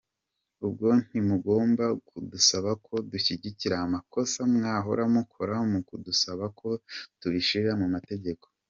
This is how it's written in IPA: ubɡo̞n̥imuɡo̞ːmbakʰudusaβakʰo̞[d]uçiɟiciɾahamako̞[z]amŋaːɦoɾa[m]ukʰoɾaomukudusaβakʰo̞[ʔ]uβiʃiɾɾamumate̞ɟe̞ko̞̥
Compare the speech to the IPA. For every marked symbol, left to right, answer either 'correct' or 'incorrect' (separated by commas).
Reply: correct, incorrect, correct, incorrect